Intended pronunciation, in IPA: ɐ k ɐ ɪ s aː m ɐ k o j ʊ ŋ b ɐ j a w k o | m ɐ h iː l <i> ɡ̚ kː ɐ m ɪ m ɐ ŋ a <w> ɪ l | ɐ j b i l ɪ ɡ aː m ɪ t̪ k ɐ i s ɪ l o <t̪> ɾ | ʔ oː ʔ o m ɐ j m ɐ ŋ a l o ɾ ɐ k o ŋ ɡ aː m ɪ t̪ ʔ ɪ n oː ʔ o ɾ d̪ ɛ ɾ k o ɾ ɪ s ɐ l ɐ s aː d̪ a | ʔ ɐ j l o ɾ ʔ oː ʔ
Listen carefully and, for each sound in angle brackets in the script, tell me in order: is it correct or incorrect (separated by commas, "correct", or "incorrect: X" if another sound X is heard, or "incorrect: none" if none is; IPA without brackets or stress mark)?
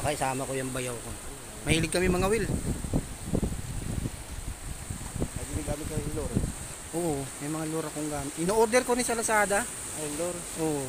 incorrect: ɪ, correct, incorrect: none